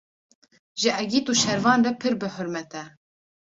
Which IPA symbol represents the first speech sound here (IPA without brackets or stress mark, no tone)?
ʒ